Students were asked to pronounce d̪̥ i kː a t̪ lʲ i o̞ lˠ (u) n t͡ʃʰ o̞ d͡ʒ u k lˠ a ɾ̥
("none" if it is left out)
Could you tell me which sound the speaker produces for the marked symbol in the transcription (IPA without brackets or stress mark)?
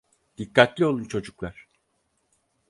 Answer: u